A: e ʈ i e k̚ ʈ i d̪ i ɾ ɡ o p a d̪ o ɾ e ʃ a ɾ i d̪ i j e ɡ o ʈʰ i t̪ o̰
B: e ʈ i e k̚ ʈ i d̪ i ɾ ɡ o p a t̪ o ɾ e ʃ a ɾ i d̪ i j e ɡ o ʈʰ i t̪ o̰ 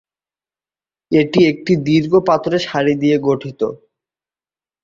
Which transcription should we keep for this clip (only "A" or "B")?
B